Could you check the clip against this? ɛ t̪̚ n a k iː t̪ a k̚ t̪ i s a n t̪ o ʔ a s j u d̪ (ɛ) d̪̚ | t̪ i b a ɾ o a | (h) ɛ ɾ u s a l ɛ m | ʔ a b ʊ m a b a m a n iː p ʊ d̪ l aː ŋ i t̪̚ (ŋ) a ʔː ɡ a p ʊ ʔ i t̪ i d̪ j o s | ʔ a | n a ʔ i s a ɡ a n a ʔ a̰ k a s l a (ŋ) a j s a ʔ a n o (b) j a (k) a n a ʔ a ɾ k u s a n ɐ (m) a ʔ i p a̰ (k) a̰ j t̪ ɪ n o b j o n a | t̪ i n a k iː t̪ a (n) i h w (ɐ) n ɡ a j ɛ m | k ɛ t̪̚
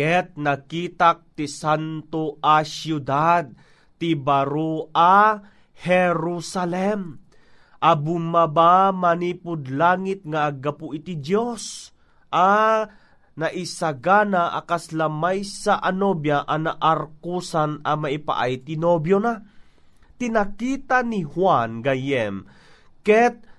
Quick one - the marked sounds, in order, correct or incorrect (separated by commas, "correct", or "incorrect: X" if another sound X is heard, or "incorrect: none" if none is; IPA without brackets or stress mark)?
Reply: incorrect: a, correct, correct, incorrect: m, correct, incorrect: ʔ, correct, incorrect: ʔ, correct, incorrect: a